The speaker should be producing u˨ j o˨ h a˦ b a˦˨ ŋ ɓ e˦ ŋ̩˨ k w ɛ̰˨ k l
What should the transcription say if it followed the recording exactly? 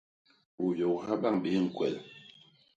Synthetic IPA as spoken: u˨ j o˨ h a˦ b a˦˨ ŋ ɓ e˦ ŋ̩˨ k w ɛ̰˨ l